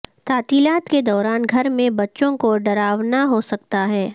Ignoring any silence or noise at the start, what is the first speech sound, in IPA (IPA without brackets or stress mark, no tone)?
t̪